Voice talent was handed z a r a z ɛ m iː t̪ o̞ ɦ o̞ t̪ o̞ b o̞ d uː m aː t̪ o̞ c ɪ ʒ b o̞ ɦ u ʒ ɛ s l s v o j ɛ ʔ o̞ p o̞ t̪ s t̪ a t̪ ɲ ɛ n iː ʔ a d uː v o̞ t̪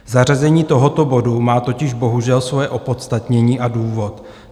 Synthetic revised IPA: z a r a z ɛ ɲ iː t̪ o̞ ɦ o̞ t̪ o̞ b o̞ d u m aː t̪ o̞ c ɪ ʒ b o̞ ɦ u ʒ ɛ l s v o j ɛ ʔ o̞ p o̞ t̪ s t̪ a t̪ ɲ ɛ ɲ iː ʔ a d uː v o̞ t̪